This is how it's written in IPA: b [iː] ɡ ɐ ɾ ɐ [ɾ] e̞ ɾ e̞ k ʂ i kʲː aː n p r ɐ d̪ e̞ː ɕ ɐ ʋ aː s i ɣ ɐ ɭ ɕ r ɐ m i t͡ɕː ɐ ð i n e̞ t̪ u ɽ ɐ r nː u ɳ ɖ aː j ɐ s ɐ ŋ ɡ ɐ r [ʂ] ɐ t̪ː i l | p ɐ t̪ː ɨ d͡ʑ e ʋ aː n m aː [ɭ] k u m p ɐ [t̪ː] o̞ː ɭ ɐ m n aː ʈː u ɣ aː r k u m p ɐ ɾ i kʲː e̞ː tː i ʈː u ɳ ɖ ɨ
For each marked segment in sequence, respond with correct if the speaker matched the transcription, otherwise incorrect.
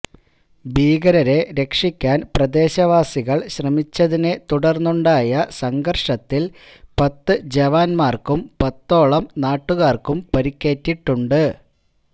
correct, correct, correct, incorrect: r, correct

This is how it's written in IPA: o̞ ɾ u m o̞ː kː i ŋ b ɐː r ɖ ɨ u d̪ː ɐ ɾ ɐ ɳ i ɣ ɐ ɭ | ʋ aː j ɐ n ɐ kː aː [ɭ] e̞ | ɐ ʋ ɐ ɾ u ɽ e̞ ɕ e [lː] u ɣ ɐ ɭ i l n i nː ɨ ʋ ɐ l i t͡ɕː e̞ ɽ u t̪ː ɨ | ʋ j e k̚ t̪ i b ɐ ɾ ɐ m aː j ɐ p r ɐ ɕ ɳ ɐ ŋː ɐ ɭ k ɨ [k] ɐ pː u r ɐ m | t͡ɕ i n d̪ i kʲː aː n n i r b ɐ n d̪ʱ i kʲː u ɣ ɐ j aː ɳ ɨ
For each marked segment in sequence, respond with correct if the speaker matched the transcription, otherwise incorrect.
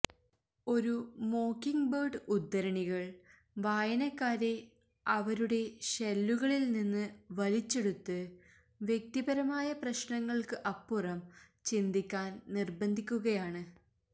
incorrect: ɾ, correct, incorrect: ʔ

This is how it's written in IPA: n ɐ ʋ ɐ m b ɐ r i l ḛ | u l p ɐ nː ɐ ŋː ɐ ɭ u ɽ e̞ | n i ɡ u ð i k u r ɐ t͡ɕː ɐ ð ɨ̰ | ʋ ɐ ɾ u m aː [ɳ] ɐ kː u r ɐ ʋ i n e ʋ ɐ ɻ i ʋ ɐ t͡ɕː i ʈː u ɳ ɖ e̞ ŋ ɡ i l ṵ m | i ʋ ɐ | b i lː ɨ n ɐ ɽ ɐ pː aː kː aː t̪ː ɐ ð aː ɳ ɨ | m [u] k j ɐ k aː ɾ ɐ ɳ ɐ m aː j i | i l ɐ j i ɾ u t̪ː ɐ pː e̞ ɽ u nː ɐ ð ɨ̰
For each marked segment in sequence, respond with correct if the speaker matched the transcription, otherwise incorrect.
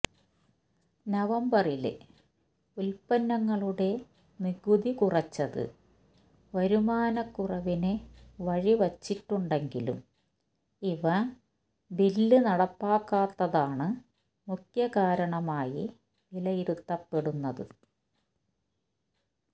incorrect: n, correct

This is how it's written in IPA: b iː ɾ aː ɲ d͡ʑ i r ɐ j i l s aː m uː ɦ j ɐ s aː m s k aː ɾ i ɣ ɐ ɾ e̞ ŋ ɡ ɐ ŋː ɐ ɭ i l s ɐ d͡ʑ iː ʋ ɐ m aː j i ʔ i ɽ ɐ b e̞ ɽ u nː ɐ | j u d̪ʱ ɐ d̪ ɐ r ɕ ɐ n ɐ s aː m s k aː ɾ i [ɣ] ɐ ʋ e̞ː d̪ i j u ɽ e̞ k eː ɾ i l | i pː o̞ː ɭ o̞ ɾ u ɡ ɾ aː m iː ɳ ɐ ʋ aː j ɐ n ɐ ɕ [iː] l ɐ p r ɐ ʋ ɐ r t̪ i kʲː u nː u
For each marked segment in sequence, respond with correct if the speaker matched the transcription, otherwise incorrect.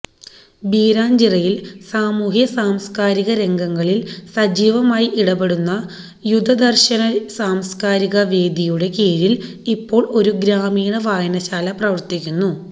correct, incorrect: aː

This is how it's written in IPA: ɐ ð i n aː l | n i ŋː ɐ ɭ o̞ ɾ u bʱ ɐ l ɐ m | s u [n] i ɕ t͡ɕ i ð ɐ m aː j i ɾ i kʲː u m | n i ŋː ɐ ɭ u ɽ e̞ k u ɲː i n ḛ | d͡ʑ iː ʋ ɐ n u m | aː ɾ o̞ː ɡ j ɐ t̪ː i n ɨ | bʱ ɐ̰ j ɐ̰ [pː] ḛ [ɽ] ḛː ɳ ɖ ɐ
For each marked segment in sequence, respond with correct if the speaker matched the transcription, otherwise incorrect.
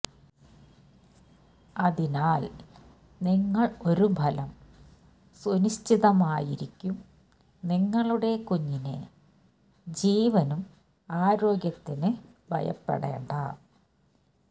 correct, correct, correct

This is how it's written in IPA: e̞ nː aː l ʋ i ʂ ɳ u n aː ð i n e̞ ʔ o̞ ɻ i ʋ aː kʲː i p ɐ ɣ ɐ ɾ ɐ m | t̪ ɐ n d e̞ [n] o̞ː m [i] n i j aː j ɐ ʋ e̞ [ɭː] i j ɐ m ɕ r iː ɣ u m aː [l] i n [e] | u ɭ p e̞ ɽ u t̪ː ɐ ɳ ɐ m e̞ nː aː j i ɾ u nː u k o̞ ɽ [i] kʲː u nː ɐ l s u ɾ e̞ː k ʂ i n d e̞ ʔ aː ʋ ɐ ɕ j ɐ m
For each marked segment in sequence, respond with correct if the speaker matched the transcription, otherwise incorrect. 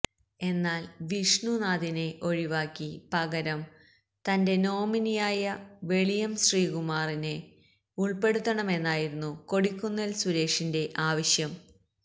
correct, correct, incorrect: ɭ, incorrect: r, correct, correct

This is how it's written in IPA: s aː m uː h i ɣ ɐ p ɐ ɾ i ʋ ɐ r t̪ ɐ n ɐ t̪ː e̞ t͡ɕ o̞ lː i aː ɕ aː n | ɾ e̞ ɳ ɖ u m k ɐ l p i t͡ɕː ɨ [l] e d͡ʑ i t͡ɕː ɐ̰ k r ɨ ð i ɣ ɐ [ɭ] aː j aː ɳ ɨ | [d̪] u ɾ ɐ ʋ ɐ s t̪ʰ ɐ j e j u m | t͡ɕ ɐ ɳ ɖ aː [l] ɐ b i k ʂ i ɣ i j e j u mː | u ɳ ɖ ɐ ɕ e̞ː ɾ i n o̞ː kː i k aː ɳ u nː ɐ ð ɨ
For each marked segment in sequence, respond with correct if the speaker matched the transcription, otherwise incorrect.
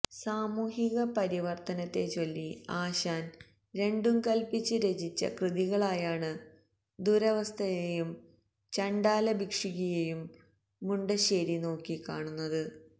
incorrect: ɾ, correct, correct, correct

